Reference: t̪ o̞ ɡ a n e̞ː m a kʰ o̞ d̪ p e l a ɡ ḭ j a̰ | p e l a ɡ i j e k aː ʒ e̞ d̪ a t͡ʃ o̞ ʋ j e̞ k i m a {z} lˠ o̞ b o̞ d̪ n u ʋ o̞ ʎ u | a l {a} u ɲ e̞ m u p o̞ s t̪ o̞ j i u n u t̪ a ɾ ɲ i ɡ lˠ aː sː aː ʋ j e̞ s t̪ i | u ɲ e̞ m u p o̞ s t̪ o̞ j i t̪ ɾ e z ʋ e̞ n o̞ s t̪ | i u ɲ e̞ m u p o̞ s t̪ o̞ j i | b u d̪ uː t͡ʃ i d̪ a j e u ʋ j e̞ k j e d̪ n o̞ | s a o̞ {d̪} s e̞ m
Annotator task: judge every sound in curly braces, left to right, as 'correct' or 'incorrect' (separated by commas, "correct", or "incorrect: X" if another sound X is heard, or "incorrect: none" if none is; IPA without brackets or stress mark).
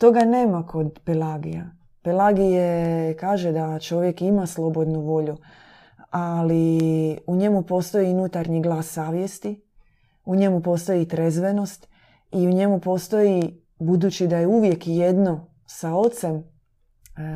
incorrect: s, incorrect: i, incorrect: t̪